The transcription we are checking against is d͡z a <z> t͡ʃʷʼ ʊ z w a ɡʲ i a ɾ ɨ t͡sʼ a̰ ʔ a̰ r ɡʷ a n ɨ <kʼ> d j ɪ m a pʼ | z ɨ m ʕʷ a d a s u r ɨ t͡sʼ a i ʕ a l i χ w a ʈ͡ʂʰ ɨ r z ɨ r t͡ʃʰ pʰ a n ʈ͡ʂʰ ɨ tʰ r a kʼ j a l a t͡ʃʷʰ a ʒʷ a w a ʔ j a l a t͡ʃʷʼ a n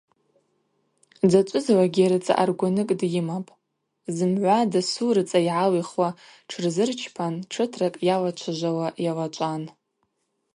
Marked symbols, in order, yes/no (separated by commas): no, yes